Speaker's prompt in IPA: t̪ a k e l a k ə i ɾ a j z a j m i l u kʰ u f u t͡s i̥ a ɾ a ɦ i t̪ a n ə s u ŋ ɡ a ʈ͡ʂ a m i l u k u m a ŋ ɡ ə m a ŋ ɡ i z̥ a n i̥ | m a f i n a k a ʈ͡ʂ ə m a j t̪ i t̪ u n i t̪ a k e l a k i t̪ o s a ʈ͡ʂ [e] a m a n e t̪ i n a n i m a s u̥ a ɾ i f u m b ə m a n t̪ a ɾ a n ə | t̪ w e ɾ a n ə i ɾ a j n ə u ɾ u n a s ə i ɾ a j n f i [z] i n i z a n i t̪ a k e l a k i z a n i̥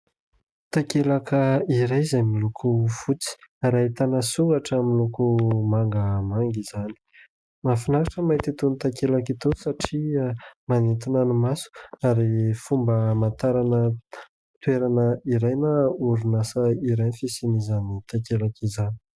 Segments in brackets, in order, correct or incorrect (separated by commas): incorrect, incorrect